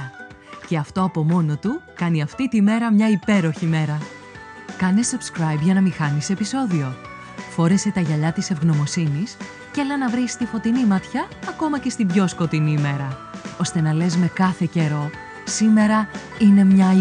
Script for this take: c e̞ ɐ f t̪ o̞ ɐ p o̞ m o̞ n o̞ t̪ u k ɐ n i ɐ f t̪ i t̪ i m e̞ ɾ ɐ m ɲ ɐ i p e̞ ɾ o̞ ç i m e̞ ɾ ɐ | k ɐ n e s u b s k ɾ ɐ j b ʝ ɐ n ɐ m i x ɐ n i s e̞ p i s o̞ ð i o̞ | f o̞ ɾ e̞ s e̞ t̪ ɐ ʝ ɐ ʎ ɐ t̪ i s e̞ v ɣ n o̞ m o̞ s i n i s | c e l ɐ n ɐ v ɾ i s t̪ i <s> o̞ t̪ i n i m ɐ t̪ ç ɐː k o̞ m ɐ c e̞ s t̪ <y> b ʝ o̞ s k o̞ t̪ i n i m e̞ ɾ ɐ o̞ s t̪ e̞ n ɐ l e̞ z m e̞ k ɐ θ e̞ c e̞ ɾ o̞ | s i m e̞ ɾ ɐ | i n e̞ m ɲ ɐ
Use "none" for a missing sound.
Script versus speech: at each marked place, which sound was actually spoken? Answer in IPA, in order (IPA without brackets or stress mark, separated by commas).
f, i